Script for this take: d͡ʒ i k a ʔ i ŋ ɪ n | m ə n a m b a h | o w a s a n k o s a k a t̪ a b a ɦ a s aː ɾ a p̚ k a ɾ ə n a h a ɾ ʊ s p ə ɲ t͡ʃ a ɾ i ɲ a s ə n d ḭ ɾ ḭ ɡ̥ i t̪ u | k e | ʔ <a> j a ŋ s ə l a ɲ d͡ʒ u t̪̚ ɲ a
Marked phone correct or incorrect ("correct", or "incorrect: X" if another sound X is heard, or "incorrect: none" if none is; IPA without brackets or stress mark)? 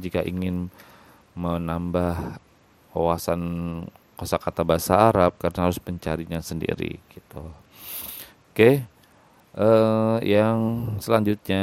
incorrect: ə